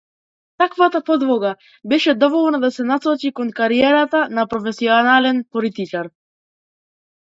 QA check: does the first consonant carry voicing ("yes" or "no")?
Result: no